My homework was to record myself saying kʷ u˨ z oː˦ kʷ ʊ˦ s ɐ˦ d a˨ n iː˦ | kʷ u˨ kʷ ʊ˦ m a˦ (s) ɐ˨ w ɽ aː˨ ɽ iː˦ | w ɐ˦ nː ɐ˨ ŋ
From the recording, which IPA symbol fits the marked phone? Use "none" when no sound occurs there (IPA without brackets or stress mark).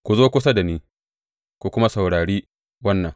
s